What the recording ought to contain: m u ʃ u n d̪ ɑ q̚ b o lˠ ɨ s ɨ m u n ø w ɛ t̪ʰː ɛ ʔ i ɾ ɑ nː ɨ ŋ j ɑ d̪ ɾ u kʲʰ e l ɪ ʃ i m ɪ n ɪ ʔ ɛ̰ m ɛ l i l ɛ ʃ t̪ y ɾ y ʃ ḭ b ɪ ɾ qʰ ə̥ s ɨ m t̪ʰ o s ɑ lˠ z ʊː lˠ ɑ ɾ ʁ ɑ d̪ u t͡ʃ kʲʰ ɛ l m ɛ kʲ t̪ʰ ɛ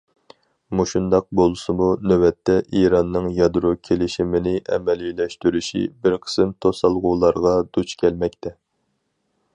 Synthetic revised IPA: m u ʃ u n d̪ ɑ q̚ b o lˠ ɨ s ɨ m u n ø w ɛ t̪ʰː ɛ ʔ i ɾ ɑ nː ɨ ŋ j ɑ d̪ ɾ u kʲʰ e l ɪ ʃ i m ɪ n ɪ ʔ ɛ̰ m ɛ l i l ɛ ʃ t̪ y ɾ y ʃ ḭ b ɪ ɾ qʰ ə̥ s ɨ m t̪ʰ o s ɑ lˠ ʁ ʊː lˠ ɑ ɾ ʁ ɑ d̪ u t͡ʃ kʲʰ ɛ l m ɛ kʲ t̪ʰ ɛ